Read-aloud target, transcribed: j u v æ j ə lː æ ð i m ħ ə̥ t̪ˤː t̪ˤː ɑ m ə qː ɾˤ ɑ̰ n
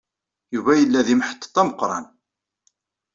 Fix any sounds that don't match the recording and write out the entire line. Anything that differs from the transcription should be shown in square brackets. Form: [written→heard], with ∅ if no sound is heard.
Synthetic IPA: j u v æ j ə lː æ ð i m ħ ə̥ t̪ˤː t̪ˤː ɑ m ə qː ɾˤ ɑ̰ n